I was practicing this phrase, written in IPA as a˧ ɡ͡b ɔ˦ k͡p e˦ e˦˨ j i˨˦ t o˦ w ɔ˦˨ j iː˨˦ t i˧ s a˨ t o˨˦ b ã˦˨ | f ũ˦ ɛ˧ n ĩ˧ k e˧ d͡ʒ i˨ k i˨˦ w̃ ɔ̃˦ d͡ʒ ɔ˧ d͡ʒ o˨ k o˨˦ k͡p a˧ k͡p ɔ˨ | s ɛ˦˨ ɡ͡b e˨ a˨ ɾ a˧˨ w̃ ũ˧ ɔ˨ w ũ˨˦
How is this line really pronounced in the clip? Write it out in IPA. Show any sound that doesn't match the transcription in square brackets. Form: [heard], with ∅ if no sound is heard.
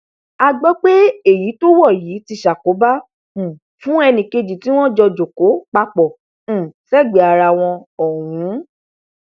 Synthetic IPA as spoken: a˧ ɡ͡b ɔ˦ k͡p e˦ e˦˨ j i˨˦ t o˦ w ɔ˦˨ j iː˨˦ t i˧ [ʃ] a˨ [k] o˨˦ b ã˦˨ | f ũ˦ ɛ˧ n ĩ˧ k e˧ d͡ʒ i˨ [t] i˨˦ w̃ ɔ̃˦ d͡ʒ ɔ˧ d͡ʒ o˨ k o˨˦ k͡p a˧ k͡p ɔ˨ | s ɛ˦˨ ɡ͡b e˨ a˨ ɾ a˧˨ w̃ [ɔ̃˧] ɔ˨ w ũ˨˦

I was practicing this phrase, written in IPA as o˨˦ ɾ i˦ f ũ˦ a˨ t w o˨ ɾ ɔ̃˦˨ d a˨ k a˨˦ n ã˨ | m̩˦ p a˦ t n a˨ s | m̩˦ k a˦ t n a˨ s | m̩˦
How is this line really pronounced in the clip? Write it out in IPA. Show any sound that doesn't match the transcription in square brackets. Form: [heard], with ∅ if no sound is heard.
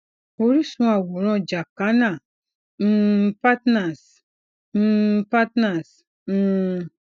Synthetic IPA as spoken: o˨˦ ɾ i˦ [s] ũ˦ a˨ [∅] w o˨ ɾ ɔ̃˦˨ [d͡ʒ] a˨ k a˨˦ n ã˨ | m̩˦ p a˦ t n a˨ s | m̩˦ [p] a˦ t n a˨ s | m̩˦

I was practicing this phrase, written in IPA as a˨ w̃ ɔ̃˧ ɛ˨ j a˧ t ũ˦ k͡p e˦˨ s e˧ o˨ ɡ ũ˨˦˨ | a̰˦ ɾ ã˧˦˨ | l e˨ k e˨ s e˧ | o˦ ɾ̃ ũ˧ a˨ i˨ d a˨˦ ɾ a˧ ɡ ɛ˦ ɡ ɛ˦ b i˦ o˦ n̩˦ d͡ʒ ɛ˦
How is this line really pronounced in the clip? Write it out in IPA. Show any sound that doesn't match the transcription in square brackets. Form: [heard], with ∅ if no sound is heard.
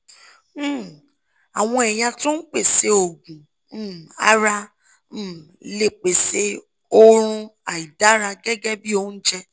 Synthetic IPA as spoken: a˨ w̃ ɔ̃˧ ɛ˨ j a˧ t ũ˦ k͡p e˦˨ s e˧ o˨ ɡ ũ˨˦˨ | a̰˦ ɾ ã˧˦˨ | l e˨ [k͡p] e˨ s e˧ | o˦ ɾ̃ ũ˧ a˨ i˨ d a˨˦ ɾ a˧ ɡ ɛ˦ ɡ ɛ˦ b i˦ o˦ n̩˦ d͡ʒ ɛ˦

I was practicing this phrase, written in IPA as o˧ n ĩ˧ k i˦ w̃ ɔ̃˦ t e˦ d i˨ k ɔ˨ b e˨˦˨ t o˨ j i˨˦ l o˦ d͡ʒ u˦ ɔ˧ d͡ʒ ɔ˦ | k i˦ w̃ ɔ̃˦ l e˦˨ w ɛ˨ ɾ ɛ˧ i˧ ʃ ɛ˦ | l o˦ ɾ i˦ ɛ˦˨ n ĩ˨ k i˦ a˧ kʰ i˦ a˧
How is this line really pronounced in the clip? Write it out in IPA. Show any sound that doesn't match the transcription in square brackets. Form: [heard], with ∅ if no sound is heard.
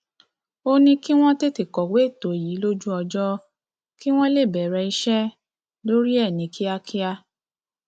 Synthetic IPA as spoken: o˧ n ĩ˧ k i˦ w̃ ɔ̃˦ t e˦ [t] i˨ k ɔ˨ [w] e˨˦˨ t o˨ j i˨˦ l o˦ d͡ʒ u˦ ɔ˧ d͡ʒ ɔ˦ | k i˦ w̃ ɔ̃˦ l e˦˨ [b] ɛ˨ ɾ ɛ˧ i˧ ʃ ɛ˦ | l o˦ ɾ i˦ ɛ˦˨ n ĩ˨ k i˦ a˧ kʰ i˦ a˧

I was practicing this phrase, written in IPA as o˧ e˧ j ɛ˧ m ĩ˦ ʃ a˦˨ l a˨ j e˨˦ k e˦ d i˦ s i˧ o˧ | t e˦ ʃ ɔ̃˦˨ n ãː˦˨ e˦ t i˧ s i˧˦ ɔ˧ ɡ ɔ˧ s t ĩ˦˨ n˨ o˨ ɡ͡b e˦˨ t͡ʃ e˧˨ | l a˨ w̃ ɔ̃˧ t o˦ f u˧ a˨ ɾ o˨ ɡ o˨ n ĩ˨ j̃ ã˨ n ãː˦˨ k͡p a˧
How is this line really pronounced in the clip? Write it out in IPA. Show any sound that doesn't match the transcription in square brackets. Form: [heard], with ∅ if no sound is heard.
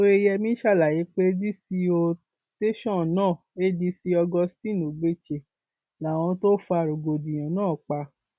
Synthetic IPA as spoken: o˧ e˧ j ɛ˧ m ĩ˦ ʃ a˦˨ l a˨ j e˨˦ [k͡p] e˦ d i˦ s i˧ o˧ | t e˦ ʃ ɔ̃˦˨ n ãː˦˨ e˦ [d] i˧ s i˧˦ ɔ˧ ɡ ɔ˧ s t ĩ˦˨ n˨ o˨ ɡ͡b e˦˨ t͡ʃ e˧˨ | l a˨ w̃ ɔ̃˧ t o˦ f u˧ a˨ ɾ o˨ ɡ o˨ [d] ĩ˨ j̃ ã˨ n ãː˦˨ k͡p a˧

